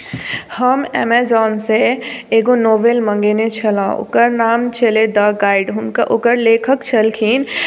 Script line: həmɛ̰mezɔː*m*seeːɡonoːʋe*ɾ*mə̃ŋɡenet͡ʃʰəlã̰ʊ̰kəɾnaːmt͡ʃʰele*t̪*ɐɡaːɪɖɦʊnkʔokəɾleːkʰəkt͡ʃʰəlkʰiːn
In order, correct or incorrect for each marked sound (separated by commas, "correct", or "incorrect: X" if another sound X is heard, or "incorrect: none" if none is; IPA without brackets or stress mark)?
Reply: incorrect: n, incorrect: l, incorrect: d̪